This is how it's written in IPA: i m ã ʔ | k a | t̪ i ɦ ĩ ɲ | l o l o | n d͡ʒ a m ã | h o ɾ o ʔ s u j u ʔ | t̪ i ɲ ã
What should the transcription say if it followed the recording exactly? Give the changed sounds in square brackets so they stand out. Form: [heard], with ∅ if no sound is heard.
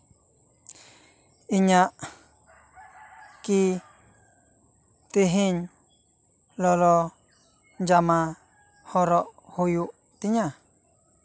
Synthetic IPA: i [ɲ] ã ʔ | k [i] | t̪ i ɦ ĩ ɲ | l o l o | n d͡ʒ a m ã | h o ɾ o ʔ [h] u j u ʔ | t̪ i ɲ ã